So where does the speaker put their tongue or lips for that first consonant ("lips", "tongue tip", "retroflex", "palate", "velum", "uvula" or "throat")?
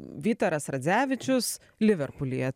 lips